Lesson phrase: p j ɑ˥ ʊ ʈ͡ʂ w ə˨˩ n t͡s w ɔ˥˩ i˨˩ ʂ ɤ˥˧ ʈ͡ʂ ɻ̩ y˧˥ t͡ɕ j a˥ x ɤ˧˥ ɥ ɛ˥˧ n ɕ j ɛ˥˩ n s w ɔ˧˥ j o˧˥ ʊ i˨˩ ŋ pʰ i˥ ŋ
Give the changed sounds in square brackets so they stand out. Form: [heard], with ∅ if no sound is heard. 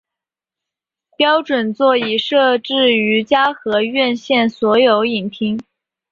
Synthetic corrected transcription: p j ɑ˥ ʊ ʈ͡ʂ w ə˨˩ n t͡s w ɔ˥˩ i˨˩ ʂ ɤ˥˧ ʈ͡ʂ ɻ̩ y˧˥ t͡ɕ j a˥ x ɤ˧˥ ɥ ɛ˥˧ n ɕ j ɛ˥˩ n s w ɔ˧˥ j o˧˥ ʊ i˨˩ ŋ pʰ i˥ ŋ